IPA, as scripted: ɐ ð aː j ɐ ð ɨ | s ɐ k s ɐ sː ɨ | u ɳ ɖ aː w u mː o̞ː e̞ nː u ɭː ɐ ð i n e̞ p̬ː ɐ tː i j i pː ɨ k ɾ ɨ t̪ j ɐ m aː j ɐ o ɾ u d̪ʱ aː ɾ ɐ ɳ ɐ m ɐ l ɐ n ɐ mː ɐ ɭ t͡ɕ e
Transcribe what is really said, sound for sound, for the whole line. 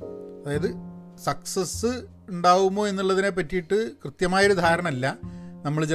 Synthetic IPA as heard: ɐ ð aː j ɐ ð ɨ | s ɐ k s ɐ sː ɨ | u ɳ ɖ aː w u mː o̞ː e̞ nː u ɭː ɐ ð i n e̞ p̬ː ɐ tː i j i ʈː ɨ k r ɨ t̪ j ɐ m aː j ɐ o ɾ u d̪ʱ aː ɾ ɐ ɳ ɐ m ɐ lː ɐ n ɐ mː ɐ ɭ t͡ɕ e